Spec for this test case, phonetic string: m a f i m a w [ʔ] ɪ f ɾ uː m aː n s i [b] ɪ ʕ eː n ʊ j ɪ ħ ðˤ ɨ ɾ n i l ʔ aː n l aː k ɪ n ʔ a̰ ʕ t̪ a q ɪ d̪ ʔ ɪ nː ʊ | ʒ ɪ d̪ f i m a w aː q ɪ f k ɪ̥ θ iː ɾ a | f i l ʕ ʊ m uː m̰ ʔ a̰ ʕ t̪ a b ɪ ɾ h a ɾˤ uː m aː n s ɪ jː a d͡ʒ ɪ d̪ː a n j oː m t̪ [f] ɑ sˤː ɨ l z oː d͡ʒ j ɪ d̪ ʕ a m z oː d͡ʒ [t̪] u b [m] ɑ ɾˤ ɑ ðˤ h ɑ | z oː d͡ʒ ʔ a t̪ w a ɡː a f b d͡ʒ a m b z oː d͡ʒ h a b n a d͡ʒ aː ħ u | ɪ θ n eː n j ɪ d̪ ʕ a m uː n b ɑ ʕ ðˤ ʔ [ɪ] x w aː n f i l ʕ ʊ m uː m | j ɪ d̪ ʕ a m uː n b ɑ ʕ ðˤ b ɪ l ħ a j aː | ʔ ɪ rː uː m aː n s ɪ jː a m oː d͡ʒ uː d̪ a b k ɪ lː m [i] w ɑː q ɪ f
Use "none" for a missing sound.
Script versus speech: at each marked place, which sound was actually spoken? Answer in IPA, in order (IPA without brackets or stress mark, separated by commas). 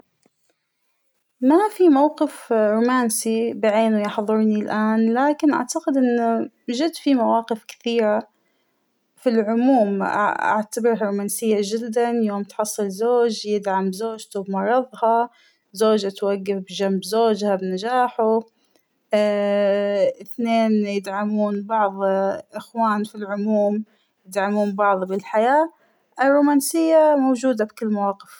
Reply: q, b, ħ, t̪, m, ɪ, a